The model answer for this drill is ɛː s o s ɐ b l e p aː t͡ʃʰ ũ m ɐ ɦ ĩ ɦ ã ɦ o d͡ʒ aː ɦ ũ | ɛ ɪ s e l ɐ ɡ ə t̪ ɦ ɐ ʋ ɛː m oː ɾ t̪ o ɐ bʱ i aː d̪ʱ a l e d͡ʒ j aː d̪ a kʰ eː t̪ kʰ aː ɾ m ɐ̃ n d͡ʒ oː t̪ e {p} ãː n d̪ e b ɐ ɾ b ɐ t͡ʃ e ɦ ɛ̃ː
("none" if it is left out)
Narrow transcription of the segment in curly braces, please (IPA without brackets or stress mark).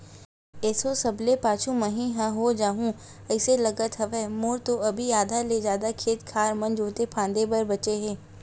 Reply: pʰ